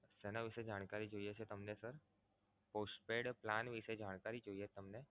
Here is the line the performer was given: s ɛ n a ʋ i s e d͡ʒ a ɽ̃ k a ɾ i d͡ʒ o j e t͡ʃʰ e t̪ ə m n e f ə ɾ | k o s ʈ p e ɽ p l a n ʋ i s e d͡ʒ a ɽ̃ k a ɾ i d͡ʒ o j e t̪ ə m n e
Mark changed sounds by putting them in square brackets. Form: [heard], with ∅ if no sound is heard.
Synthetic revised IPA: s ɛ n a ʋ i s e d͡ʒ a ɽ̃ k a ɾ i d͡ʒ o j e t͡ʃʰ e t̪ ə m n e [s] ə ɾ | [p] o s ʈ p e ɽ p l a n ʋ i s e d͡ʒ a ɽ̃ k a ɾ i d͡ʒ o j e t̪ ə m n e